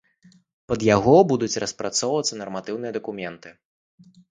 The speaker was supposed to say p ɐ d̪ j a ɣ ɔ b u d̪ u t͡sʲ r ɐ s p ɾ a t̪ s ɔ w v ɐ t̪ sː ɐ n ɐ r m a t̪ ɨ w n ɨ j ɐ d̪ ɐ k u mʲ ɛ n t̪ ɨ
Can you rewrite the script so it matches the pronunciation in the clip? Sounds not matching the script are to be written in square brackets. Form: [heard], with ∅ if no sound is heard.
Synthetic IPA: p ɐ d̪ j a ɣ ɔ b u d̪ u t͡sʲ r ɐ s p ɾ a t̪ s ɔ w v ɐ t̪ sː ɐ n ɐ r m a t̪ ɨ w n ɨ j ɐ d̪ ɐ k u mʲ ɛ n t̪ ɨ